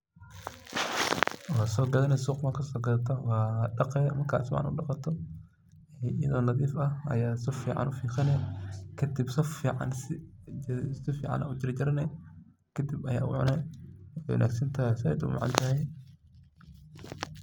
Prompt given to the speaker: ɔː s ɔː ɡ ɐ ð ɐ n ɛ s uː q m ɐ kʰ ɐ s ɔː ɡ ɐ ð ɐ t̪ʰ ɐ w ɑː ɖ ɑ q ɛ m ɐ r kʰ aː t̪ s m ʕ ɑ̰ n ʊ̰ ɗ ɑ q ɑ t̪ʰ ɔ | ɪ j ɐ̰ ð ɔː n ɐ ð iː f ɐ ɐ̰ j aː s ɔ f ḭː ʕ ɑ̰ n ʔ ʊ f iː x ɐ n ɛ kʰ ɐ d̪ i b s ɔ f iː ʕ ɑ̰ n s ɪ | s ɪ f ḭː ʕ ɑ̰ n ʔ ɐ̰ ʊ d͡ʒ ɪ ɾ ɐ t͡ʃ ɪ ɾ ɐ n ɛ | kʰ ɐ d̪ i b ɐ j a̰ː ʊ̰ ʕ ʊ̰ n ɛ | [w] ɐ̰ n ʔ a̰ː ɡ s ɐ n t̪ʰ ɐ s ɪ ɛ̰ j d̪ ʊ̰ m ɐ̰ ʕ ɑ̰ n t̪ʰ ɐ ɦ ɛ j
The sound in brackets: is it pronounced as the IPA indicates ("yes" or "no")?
yes